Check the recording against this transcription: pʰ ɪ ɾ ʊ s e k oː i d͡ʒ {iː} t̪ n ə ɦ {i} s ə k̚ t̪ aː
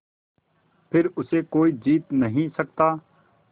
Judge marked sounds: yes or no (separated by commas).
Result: yes, no